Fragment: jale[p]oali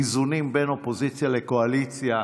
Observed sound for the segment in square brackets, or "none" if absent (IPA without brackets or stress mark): k